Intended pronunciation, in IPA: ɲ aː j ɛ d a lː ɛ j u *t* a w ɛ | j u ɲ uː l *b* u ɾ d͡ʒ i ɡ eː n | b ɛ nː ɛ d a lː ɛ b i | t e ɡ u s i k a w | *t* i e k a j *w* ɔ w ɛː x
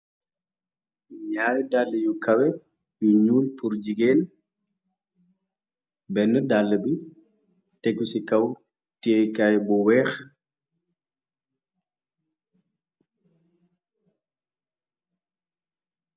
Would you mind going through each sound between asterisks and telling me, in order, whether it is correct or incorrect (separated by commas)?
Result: incorrect, incorrect, correct, incorrect